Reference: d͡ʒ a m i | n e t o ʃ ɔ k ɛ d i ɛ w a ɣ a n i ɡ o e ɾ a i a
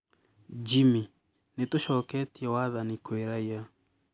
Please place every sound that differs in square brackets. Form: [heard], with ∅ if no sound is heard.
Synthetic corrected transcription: d͡ʒ [i] m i | n e t o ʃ ɔ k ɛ [t] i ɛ w a [ð] a n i [k] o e ɾ a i a